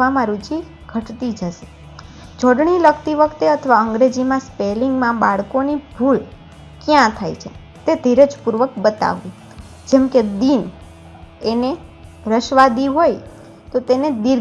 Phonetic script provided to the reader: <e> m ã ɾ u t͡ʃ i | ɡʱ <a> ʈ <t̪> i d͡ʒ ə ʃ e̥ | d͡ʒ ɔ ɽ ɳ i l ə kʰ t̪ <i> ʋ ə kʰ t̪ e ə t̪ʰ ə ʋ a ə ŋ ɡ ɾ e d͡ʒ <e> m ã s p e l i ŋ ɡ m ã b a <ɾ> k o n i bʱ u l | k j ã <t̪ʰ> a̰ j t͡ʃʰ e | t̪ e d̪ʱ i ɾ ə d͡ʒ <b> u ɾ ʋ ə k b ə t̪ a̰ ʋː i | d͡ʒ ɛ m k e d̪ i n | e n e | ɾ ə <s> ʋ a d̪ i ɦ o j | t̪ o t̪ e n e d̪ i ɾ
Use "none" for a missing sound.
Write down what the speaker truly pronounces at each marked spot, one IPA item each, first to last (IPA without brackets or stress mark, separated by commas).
a, ə, t̪, i, i, ɭ, t̪ʰ, p, ʃ